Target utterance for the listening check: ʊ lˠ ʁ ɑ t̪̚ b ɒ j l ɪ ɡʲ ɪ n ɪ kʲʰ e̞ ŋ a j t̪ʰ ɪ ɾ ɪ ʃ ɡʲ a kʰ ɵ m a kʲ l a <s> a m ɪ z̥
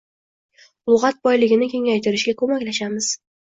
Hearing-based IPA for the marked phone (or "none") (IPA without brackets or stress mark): ʃ